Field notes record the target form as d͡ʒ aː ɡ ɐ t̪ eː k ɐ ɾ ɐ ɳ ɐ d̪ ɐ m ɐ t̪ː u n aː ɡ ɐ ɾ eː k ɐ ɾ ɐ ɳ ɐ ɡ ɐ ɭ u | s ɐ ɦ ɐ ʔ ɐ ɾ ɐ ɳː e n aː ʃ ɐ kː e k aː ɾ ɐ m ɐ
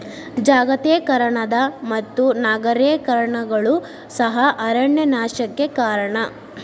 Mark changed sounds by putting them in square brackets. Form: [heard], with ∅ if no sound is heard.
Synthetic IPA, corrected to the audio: d͡ʒ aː ɡ ɐ t̪ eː k ɐ ɾ ɐ ɳ ɐ d̪ ɐ m ɐ t̪ː u n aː ɡ ɐ ɾ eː k ɐ ɾ ɐ ɳ ɐ ɡ ɐ ɭ u | s ɐ ɦ ɐ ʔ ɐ ɾ ɐ ɳː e n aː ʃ ɐ kː e k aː ɾ ɐ [ɳ] ɐ